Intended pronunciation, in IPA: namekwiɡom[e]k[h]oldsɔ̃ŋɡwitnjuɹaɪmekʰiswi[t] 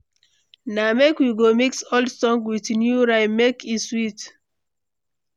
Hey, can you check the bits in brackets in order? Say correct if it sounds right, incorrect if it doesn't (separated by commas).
incorrect, incorrect, correct